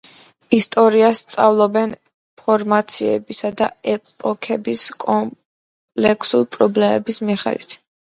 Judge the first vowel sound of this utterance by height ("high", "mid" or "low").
high